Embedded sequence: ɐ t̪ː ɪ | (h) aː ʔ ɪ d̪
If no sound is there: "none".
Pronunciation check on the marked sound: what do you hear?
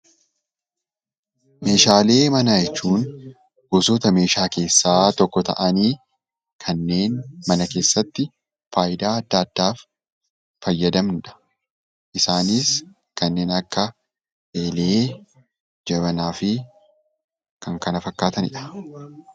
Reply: f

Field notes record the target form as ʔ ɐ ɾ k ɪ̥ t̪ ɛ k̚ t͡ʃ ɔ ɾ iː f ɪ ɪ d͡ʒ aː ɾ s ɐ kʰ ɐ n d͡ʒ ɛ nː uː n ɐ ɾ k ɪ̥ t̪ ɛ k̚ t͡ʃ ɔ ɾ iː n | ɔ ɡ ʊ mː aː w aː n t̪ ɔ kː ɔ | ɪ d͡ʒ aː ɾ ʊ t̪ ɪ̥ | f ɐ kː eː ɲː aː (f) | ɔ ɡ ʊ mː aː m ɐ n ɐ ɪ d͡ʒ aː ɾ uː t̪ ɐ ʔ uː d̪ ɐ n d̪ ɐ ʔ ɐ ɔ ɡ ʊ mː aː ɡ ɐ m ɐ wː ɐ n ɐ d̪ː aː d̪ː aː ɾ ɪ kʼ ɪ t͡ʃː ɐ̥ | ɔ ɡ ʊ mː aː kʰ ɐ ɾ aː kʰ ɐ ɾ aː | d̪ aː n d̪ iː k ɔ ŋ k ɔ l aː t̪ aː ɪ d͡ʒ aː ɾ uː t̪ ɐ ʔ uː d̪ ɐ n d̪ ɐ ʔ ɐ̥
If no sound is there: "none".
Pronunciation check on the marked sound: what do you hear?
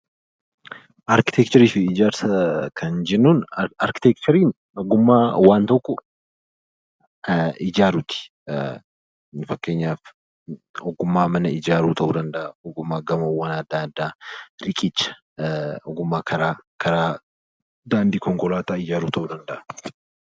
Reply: f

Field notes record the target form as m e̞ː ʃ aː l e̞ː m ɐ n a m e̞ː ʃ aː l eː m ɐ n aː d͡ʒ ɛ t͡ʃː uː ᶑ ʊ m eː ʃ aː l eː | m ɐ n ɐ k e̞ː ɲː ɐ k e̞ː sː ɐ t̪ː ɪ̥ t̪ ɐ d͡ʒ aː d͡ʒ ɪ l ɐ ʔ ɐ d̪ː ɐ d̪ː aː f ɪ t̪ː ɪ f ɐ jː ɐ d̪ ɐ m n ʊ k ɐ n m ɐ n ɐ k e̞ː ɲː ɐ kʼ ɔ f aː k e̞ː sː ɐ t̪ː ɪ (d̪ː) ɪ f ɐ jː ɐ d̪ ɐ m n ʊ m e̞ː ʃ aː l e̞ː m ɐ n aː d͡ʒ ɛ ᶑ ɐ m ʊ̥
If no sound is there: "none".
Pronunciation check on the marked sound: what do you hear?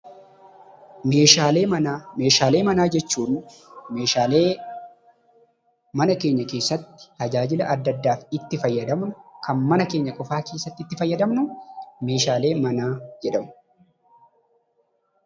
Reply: t̪ː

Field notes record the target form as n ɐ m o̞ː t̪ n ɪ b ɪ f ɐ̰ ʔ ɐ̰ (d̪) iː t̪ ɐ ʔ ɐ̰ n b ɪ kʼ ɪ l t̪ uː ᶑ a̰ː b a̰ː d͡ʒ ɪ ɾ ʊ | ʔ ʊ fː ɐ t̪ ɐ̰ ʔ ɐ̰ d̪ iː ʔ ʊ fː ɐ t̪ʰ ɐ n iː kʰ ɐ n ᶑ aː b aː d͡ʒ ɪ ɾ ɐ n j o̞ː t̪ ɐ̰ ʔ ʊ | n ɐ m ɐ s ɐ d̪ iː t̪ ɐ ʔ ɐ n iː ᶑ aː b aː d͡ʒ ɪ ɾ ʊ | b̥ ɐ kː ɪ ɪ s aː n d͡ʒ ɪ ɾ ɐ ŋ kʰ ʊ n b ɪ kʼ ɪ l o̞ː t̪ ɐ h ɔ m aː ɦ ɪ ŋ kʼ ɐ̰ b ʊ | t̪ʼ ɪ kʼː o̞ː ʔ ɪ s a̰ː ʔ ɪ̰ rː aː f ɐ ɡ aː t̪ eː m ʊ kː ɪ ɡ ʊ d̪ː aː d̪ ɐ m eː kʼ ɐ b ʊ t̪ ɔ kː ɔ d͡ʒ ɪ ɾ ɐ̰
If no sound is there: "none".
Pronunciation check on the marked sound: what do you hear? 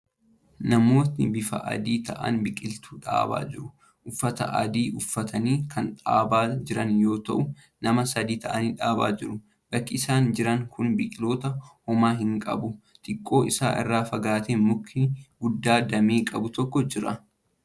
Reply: d̪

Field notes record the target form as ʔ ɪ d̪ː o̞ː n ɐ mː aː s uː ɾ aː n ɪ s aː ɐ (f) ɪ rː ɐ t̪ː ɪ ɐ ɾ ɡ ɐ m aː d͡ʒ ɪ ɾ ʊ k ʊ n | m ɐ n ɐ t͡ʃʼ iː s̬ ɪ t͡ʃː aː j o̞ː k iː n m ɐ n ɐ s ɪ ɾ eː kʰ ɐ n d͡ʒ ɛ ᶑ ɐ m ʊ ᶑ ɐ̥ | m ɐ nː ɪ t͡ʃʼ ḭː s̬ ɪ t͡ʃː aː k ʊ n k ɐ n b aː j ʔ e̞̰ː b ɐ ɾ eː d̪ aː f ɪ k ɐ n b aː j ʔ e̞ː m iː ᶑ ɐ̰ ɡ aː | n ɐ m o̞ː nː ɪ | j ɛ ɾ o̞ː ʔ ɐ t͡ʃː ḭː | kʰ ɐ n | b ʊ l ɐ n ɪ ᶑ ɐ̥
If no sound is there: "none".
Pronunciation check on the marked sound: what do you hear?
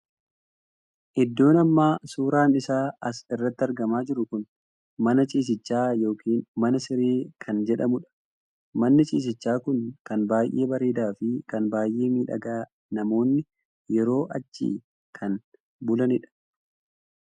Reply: s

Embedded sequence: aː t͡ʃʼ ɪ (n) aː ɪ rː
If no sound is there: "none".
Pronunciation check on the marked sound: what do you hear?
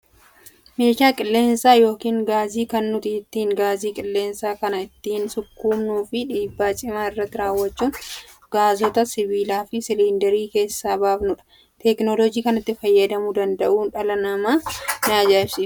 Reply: m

